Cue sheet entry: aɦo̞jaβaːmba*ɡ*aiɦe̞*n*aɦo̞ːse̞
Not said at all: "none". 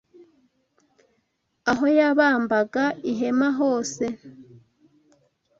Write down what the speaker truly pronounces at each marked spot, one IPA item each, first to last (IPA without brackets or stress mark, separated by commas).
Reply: ɡ, m